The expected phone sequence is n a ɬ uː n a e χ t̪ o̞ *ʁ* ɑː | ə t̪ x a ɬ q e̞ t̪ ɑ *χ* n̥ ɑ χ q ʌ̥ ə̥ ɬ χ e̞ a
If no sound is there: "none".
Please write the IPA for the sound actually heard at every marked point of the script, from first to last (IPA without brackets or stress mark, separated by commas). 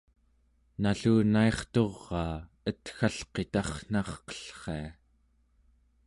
ʁː, χ